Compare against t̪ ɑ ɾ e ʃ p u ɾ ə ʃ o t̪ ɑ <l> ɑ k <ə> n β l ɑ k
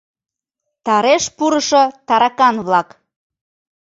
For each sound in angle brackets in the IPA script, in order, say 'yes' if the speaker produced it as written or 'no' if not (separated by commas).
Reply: no, no